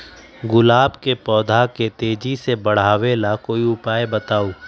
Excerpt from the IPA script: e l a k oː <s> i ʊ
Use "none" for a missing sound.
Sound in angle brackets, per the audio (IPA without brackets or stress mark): none